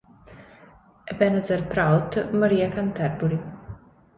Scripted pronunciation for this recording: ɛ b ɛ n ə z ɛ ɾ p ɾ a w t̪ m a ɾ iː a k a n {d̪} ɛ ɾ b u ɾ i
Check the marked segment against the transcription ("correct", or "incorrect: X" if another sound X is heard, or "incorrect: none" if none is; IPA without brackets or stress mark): incorrect: t̪